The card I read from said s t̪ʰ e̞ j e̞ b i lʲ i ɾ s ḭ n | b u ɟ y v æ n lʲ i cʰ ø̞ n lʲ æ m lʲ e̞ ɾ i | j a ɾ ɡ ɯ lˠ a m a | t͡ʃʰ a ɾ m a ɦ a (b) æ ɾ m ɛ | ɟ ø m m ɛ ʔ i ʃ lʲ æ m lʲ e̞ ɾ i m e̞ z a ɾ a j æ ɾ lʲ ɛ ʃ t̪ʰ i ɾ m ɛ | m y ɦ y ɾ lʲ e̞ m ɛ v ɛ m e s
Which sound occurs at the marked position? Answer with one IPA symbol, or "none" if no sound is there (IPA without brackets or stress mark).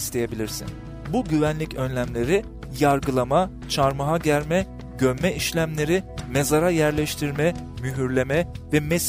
ɟ